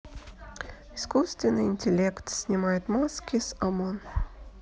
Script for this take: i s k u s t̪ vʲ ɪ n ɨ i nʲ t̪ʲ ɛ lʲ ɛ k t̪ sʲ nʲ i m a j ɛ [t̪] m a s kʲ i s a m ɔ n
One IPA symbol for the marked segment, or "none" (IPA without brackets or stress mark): t̪